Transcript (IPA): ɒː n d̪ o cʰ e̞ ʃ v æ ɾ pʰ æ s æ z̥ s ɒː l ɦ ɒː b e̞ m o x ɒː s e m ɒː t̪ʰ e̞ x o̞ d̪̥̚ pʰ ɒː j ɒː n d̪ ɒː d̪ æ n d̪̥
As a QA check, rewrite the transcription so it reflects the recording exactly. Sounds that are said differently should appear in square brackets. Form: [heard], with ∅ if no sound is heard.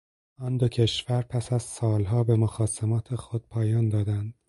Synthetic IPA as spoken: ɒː n d̪ o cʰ e̞ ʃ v æ ɾ pʰ æ s æ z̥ s ɒː l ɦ ɒː b e̞ m o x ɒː s e m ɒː t̪ʰ e̞ x o̞ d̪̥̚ pʰ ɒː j ɒː n d̪ ɒː d̪ æ n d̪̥